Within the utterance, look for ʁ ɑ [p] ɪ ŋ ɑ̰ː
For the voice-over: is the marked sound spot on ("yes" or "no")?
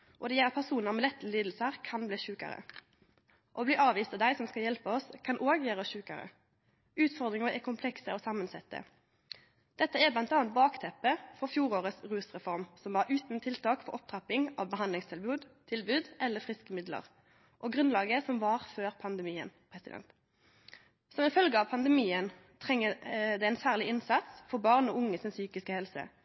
yes